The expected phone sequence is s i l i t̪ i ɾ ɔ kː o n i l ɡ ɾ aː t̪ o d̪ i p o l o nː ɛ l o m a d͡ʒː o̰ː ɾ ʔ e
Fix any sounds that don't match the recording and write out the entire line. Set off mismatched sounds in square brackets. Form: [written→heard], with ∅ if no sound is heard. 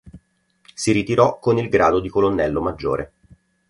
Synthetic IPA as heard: s i [l→ɾ] i t̪ i ɾ ɔ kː o n i l ɡ ɾ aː [t̪→d̪] o d̪ i [p→k] o l o nː ɛ [l→lː] o m a d͡ʒː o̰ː ɾ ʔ e